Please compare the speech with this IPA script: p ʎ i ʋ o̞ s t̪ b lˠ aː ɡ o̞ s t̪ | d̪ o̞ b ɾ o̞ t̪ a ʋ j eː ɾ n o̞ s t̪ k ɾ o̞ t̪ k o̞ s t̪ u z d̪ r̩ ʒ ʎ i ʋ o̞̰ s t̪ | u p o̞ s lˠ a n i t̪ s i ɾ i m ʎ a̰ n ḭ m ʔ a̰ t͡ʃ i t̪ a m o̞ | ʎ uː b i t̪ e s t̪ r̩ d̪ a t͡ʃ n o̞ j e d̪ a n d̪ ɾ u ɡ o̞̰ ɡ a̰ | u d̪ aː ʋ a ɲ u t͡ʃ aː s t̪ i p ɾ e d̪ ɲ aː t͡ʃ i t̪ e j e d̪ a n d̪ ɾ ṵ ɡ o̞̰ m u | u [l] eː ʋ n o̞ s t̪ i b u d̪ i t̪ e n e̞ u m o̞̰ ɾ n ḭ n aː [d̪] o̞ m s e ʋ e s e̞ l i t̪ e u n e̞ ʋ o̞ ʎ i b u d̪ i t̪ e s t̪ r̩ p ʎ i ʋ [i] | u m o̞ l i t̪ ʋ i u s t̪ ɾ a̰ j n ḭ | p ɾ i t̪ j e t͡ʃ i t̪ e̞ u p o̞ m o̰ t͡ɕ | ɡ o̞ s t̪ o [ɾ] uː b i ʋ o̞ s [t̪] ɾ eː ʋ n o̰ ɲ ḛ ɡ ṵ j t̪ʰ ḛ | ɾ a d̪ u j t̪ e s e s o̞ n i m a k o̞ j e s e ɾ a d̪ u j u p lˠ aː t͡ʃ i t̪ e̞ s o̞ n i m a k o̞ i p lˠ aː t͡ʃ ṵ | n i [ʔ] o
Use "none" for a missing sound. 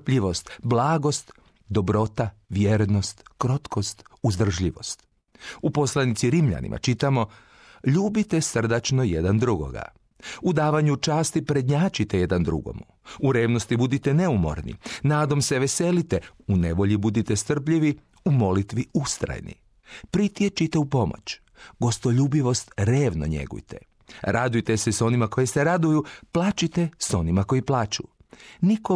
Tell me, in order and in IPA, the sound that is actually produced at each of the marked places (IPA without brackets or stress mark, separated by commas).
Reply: ɾ, d̪, i, ʎ, t̪, k